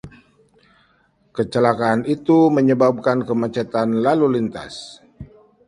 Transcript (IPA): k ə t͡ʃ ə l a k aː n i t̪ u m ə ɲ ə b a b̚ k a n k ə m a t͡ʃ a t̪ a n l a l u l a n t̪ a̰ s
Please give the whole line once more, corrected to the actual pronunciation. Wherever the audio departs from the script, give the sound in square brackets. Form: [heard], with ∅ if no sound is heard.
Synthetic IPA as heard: k ə t͡ʃ ə l a k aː n i t̪ u m ə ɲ ə b a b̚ k a n k ə m a t͡ʃ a t̪ a n l a l u l [i] n t̪ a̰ s